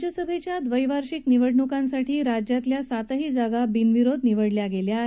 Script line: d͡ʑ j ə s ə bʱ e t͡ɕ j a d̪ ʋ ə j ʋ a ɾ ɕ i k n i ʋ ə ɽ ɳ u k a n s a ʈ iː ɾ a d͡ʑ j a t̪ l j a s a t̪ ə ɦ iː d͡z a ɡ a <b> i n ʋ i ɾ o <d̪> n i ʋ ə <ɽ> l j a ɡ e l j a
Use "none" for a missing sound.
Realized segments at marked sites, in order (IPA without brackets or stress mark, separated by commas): b, d̪, ɽ